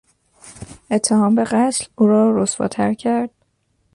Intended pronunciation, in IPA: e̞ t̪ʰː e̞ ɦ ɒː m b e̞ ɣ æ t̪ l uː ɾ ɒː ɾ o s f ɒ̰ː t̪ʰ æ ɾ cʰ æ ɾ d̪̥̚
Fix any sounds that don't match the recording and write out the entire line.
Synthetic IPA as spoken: e̞ t̪ʰː e̞ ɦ ɒː m b e̞ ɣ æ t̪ l uː ɾ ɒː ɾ o s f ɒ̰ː t̪ʰ æ ɾ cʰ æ ɾ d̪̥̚